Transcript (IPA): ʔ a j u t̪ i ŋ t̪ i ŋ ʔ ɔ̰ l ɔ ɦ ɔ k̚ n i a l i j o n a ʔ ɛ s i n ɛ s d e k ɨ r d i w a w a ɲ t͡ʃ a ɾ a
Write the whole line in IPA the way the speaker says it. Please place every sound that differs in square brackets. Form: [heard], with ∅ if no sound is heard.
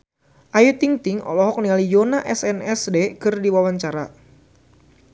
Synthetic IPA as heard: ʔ a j u t̪ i ŋ t̪ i ŋ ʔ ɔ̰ l ɔ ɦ ɔ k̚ n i a l i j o n a ʔ ɛ s [ɛ] n ɛ s d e k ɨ r d i w a w a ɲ t͡ʃ a ɾ a

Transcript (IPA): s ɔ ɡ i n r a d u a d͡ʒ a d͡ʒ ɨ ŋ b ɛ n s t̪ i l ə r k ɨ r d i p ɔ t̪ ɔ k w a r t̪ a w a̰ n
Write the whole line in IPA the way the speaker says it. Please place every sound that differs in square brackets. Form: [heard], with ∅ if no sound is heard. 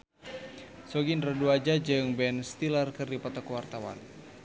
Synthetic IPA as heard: s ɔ ɡ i n r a d u a d͡ʒ a d͡ʒ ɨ ŋ b ɛ n s t̪ i l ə r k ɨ r d i p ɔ t̪ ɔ k w a r t̪ a w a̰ n

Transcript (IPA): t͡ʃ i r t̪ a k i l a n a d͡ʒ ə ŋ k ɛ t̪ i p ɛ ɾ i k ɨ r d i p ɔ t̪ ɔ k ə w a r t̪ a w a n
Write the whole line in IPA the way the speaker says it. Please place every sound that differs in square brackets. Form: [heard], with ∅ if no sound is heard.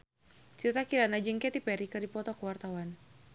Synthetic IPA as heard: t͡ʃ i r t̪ a k i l a n a d͡ʒ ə ŋ k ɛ t̪ i p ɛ ɾ i k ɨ r d i p ɔ t̪ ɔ k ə w a r t̪ a w a n

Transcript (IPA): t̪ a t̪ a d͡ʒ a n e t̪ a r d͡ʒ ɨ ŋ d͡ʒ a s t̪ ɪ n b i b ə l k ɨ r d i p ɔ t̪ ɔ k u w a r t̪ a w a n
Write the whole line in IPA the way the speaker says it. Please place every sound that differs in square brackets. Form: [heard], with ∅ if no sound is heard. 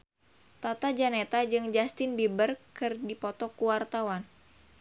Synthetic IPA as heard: t̪ a t̪ a d͡ʒ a n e t̪ a [∅] d͡ʒ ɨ ŋ d͡ʒ a s t̪ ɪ n b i b ə [r] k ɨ r d i p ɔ t̪ ɔ k u w a r t̪ a w a n

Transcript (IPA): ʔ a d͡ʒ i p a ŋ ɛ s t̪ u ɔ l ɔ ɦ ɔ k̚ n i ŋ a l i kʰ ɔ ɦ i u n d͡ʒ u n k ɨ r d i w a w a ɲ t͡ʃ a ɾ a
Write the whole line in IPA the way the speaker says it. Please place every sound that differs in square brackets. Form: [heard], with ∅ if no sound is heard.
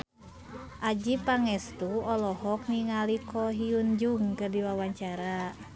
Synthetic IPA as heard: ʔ a d͡ʒ i p a ŋ ɛ s t̪ u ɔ l ɔ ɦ ɔ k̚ n i ŋ a l i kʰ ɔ ɦ i u n d͡ʒ u [ŋ] k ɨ r d i w a w a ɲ t͡ʃ a ɾ a

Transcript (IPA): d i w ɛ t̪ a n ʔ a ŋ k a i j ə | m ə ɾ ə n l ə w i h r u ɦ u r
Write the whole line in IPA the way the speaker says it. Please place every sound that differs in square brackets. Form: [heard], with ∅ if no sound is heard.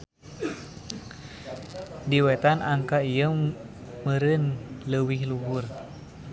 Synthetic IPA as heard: d i w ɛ t̪ a n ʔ a ŋ k a i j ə | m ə ɾ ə n l ə w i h [l] u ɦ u r

